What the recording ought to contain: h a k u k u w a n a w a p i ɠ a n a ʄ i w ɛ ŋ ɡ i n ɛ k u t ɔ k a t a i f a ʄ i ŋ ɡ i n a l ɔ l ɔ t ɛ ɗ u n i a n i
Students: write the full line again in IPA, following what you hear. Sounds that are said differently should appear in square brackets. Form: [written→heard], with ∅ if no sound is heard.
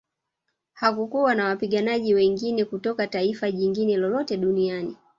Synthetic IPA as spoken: h a k u k u w a n a w a p i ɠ a n a ʄ i w ɛ ŋ ɡ i n ɛ k u t ɔ k a t a i f a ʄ i ŋ ɡ i n [a→ɛ] l ɔ l ɔ t ɛ ɗ u n i a n i

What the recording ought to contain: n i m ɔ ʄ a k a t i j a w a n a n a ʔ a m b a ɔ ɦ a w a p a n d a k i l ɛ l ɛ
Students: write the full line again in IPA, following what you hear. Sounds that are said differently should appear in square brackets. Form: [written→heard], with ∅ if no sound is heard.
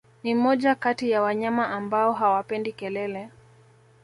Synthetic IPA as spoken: n i m ɔ ʄ a k a t i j a w a [n→ɲ] a [n→m] a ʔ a m b a ɔ ɦ a w a p [a→ɛ] n d [a→i] k [i→ɛ] l ɛ l ɛ

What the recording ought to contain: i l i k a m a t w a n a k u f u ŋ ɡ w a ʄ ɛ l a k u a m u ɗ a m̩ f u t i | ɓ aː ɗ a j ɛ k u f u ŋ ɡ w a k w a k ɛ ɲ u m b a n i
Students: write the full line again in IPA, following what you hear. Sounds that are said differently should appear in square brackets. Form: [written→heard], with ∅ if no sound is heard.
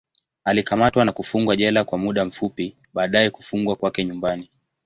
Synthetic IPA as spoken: [i→a] l i k a m a t w a n a k u f u ŋ ɡ w a ʄ ɛ l a k [u→w] a m u ɗ a m̩ f u [t→p] i | ɓ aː ɗ a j ɛ k u f u ŋ ɡ w a k w a k ɛ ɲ u m b a n i

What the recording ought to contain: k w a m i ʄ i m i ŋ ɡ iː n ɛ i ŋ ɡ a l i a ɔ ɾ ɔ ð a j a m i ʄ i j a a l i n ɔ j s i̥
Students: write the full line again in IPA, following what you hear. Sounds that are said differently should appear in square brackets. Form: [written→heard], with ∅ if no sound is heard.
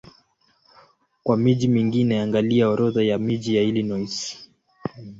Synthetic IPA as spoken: k w a m i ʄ i m i ŋ ɡ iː n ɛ [i→a] ŋ ɡ a l i a ɔ ɾ ɔ ð a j a m i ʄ i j a [a→i] l i n ɔ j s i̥

